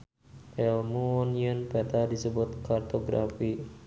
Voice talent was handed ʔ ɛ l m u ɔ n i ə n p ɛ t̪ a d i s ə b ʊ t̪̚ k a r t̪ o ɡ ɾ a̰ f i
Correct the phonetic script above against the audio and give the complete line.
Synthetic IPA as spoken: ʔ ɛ l m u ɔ n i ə n p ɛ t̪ a d i s ə b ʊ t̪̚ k a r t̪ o ɡ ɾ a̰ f i

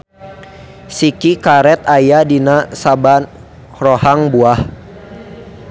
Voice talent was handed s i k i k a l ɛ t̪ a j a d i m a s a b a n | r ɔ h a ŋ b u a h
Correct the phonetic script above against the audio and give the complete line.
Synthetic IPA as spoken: s i k i k a ɾ ɛ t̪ a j a d i n a s a b a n | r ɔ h a ŋ b u a h

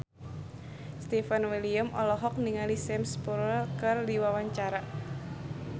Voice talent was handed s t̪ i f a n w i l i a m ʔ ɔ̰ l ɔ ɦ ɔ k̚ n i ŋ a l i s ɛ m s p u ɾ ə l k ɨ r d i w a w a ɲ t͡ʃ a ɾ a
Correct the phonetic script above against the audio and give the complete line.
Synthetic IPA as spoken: s t̪ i f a n w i l i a m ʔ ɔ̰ l ɔ ɦ ɔ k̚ n i ŋ a l i s ɛ m s p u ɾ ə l k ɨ r d i w a w a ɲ t͡ʃ a ɾ a

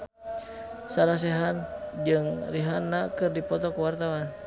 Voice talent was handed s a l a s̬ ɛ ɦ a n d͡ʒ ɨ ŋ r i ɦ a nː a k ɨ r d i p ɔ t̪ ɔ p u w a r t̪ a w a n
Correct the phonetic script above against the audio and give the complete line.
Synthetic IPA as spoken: s a l a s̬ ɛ ɦ a n d͡ʒ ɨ ŋ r i ɦ a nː a k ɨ r d i p ɔ t̪ ɔ k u w a r t̪ a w a n

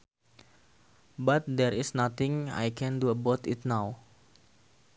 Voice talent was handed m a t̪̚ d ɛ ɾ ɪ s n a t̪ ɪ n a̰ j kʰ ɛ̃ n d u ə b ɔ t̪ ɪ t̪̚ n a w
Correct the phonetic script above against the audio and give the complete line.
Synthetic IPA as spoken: b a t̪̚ d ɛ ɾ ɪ s n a t̪ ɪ ŋ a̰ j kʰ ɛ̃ n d u ə b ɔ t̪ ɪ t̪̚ n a w

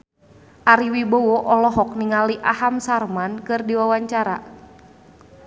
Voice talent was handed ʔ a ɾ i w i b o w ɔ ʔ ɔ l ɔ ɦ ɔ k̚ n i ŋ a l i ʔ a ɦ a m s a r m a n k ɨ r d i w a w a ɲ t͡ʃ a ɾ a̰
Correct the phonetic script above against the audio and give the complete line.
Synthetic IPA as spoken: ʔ a ɾ i w i b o w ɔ ʔ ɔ l ɔ ɦ ɔ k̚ n i ŋ a l i ʔ a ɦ a m s a r m a n k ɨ r d i w a w a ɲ t͡ʃ a ɾ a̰

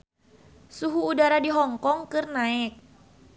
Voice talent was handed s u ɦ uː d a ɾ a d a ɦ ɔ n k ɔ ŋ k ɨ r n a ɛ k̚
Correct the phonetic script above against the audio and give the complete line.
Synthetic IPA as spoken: s u ɦ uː d a ɾ a d i ɦ ɔ ŋ k ɔ ŋ k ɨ r n a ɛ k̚

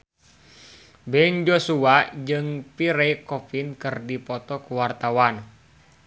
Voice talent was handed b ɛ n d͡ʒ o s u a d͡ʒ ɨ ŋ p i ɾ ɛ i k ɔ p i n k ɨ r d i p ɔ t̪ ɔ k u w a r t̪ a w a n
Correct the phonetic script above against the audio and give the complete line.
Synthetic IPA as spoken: b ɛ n d͡ʒ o s u a d͡ʒ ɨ ŋ p i ɾ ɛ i k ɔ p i n k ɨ r d i p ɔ t̪ ɔ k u w a r t̪ a w a n

